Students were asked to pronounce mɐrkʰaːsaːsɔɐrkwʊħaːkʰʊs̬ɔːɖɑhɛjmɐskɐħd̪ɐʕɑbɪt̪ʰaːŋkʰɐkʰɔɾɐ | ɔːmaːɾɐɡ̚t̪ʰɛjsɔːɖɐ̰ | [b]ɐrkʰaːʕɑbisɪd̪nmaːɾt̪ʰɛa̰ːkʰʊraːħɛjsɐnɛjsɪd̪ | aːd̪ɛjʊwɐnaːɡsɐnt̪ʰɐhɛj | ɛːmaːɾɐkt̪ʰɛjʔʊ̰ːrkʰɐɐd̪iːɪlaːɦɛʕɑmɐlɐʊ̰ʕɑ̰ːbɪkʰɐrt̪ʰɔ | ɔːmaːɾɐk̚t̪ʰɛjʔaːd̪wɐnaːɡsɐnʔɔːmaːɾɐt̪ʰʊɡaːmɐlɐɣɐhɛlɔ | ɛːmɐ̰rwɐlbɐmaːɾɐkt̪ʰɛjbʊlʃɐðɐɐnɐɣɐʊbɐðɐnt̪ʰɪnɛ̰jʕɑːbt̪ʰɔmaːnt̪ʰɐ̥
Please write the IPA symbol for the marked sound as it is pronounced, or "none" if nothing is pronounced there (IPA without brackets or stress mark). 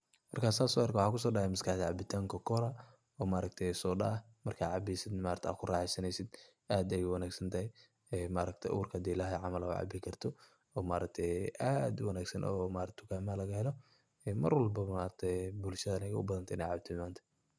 m